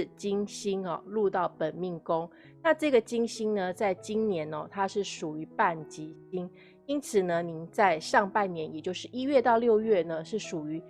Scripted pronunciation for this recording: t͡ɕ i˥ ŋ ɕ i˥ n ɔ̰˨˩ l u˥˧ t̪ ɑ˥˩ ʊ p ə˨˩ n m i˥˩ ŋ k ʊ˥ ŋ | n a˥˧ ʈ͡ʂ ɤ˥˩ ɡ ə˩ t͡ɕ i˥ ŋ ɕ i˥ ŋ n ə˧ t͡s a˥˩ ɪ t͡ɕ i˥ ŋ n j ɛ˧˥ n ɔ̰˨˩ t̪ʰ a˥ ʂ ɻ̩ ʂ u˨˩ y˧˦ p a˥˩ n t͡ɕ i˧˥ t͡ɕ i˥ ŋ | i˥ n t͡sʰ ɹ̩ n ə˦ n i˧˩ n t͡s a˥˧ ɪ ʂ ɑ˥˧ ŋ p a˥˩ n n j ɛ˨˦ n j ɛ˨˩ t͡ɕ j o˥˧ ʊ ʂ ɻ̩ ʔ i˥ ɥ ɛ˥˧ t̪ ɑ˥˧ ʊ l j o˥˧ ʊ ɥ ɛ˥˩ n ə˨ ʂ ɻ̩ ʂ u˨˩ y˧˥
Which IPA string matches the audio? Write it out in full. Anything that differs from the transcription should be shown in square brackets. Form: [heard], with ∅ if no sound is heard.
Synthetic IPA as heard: t͡ɕ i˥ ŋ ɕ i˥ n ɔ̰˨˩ l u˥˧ t̪ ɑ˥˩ ʊ p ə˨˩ n m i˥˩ ŋ k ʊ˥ ŋ | n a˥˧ ʈ͡ʂ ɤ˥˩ ɡ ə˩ t͡ɕ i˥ ŋ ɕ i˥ ŋ n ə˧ t͡s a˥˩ ɪ t͡ɕ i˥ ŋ n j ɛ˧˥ n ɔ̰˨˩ t̪ʰ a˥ ʂ ɻ̩ ʂ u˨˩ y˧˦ p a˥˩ n t͡ɕ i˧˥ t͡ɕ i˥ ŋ | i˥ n t͡sʰ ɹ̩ n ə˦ n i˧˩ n t͡s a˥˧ ɪ ʂ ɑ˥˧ ŋ p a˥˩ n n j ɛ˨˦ n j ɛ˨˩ t͡ɕ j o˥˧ ʊ ʂ ɻ̩ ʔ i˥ ɥ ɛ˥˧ t̪ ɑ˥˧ ʊ l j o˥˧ ʊ ɥ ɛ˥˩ n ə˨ ʂ ɻ̩ ʂ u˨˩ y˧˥